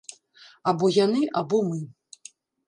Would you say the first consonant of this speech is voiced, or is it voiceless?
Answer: voiced